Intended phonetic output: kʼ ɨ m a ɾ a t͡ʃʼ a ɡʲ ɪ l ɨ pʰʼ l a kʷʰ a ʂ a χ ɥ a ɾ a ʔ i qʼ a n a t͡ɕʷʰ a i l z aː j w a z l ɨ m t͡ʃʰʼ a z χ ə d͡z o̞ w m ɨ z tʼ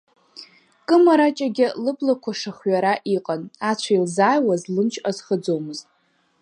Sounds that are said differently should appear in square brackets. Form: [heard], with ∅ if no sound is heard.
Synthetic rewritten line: kʼ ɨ m a ɾ a t͡ʃʼ a ɡʲ ɪ l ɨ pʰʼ l a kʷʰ a ʂ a χ ɥ a ɾ a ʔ i qʼ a n a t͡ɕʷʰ a i l z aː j w a z l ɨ m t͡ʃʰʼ a z χ ə d͡z o̞ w m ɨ z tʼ